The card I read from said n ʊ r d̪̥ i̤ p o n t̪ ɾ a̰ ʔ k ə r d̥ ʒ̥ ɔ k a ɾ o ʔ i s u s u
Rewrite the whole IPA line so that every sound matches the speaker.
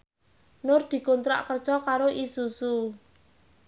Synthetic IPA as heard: n ʊ r d̪̥ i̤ k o n t̪ ɾ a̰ ʔ k ə r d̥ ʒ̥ ɔ k a ɾ o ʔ i s u s u